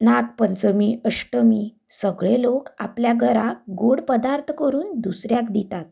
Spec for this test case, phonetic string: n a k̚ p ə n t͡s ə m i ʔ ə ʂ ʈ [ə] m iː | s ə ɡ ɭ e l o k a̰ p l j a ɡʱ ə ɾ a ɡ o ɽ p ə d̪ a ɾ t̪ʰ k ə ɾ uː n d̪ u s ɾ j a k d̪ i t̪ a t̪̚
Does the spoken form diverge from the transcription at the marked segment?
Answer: no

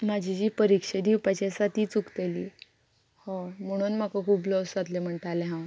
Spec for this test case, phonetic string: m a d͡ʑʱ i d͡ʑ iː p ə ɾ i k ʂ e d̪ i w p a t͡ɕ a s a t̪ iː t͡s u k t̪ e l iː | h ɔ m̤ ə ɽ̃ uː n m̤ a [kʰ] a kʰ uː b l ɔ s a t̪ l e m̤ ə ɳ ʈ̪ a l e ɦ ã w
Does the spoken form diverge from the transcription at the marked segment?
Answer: yes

